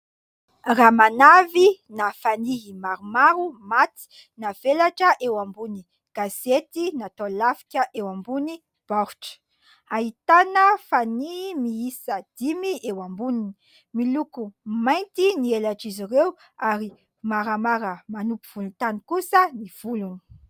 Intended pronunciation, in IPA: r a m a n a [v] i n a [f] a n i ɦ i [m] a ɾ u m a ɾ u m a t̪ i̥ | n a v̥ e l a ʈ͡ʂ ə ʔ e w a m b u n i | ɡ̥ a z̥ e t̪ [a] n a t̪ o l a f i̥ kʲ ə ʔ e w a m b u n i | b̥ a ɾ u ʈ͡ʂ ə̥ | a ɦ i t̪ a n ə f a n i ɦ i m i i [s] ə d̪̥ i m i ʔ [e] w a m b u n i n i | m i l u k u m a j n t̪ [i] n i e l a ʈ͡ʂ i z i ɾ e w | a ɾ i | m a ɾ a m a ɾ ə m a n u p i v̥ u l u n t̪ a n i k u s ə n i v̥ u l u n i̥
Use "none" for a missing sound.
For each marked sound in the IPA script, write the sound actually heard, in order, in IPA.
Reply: v, f, m, i, s, e, i

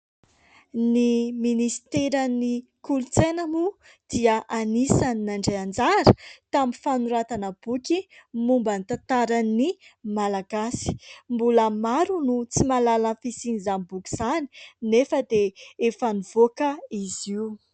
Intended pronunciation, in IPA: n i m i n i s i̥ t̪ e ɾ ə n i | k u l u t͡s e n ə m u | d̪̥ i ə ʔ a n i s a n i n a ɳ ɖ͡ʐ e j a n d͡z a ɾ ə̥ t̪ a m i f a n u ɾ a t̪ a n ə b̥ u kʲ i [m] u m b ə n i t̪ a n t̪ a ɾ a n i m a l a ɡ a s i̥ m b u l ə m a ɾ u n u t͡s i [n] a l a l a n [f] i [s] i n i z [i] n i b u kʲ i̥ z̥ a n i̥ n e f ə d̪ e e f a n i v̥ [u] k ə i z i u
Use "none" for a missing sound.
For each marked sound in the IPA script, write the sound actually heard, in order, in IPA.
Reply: m, m, f, s, a, o

